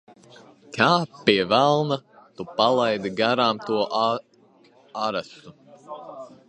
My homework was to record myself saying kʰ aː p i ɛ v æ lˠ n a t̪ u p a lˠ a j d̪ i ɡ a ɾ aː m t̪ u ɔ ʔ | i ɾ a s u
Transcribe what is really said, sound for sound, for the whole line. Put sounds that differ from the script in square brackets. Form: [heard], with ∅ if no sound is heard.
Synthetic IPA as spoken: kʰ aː p i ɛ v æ lˠ n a t̪ u p a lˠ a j d̪ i ɡ a ɾ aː m t̪ u ɔ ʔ | [a] ɾ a s u